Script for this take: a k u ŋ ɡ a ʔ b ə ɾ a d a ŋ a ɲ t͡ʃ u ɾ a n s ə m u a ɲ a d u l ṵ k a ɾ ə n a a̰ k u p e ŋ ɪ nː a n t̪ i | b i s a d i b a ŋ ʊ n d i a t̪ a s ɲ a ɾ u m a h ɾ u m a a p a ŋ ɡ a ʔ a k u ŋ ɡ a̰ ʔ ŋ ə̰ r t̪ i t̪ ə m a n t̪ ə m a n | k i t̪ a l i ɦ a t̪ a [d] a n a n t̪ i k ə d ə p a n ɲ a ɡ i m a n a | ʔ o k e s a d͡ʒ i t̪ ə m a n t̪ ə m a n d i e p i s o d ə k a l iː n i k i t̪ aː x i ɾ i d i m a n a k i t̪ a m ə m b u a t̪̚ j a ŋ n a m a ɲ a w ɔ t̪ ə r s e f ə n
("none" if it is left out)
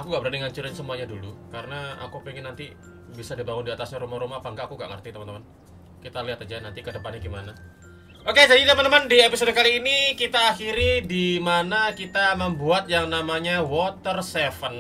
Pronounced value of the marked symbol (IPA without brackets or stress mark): d͡ʒ